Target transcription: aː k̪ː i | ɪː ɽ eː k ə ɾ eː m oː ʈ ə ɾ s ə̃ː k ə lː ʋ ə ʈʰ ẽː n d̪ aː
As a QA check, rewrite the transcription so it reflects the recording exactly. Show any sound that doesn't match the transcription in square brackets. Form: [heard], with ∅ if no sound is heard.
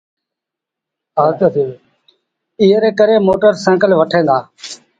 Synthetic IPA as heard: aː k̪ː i | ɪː [ɾ] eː k ə ɾ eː m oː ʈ ə ɾ s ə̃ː k ə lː ʋ ə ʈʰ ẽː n d̪ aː